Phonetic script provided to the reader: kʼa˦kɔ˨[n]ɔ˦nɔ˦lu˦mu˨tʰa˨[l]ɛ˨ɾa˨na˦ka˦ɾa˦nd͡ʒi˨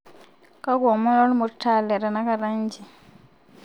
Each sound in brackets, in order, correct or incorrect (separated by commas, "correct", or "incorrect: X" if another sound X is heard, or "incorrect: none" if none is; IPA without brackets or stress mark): incorrect: m, correct